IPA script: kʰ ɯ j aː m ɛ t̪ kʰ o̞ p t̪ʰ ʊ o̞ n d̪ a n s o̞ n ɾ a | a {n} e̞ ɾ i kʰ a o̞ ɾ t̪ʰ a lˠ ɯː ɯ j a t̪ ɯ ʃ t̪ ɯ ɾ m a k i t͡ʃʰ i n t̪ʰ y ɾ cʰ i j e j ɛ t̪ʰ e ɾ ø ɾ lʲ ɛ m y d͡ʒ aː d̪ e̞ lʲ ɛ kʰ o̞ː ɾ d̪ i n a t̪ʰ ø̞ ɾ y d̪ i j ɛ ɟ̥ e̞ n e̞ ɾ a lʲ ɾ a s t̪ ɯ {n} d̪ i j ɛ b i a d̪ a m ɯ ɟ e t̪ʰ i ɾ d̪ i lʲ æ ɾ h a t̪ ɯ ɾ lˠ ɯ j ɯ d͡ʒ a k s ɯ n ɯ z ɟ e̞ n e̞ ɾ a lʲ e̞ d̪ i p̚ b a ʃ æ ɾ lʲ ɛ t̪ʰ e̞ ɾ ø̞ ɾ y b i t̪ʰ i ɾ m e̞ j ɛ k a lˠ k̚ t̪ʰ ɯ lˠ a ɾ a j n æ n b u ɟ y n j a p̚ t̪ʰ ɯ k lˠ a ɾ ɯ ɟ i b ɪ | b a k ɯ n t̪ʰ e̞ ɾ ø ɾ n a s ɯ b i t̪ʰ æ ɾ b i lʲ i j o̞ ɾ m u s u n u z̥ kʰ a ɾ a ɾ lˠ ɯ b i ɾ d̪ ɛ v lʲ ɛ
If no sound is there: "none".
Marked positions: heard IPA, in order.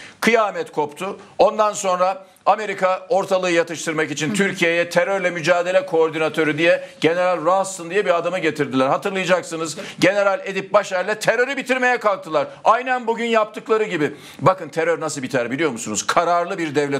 m, n

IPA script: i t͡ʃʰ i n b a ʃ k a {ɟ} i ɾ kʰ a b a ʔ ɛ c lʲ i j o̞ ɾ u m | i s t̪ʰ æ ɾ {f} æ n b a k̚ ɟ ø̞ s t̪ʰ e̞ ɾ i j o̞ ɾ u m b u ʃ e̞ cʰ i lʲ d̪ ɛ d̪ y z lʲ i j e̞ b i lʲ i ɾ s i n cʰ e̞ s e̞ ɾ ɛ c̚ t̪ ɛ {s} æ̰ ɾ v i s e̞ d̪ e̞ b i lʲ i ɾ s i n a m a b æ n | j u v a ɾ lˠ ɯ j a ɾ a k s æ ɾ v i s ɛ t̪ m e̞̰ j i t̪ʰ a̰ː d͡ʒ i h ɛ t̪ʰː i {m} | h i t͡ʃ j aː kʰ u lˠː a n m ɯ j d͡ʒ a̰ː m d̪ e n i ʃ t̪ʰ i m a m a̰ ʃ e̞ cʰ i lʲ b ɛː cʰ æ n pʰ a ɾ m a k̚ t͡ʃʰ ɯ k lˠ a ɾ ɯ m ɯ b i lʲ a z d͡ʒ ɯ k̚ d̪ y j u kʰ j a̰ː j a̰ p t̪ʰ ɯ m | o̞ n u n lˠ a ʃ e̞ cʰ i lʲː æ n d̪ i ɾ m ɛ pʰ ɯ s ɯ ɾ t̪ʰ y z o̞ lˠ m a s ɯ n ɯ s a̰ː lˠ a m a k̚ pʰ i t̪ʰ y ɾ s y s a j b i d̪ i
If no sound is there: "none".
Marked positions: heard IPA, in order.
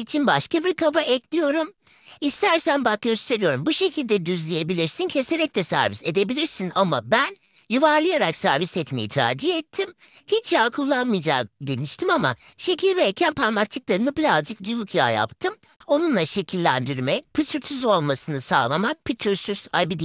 b, s, s, m

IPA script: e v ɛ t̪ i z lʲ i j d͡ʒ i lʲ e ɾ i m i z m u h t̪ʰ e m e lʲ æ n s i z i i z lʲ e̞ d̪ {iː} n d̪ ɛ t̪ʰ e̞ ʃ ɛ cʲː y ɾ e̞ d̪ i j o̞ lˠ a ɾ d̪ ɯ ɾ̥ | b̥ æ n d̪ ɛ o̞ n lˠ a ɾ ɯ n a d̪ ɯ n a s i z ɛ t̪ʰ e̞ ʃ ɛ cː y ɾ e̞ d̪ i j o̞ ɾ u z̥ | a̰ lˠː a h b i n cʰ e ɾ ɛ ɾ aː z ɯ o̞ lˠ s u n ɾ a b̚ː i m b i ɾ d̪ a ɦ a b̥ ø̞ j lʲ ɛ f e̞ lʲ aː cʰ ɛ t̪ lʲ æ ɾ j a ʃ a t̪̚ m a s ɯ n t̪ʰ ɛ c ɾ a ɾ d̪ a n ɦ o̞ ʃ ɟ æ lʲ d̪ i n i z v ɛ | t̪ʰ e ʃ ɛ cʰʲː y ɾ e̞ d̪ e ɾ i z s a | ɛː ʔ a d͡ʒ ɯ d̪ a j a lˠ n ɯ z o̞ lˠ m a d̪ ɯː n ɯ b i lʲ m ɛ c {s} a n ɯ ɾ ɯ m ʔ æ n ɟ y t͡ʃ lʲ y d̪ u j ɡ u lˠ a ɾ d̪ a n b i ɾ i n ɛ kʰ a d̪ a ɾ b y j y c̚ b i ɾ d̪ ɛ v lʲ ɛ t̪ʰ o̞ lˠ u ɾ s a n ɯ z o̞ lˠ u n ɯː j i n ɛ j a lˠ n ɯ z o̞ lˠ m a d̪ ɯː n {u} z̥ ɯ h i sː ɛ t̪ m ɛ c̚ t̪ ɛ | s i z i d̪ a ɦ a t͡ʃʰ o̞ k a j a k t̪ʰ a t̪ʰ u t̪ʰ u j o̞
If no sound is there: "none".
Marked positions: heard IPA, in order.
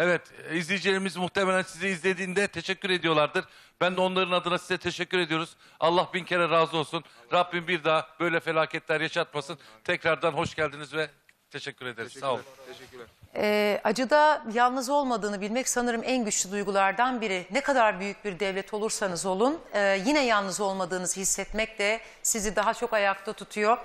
iː, s, ɯ

